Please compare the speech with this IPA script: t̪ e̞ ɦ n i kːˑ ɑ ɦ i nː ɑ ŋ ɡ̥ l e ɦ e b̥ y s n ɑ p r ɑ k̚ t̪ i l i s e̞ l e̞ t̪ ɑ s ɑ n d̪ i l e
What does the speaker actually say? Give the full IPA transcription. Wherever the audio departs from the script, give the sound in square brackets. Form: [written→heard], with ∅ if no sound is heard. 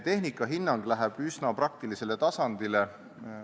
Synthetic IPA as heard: t̪ e̞ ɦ n i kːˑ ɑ ɦ i nː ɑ ŋ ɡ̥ l [e→æ] ɦ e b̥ y s n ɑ p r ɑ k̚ t̪ i l i s e̞ l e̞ t̪ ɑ s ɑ n d̪ i l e